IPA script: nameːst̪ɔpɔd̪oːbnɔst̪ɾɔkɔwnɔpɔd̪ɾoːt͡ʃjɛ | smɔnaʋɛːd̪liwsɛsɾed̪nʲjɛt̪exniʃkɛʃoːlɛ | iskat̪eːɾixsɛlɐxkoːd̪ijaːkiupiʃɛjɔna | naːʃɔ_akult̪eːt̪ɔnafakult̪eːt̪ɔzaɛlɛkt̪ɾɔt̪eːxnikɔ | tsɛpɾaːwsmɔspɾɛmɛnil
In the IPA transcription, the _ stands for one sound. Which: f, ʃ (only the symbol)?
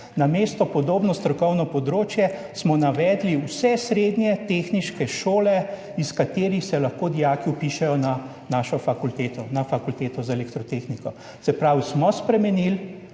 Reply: f